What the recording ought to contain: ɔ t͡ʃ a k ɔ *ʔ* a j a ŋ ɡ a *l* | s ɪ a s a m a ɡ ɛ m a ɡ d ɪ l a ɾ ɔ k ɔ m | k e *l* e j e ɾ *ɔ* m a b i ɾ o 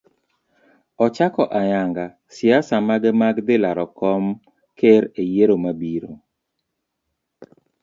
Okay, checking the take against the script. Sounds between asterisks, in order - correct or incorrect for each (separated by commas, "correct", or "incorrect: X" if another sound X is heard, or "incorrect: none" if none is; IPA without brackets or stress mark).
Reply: correct, incorrect: none, incorrect: ɾ, incorrect: o